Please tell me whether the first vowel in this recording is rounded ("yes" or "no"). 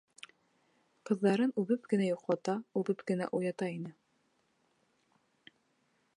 no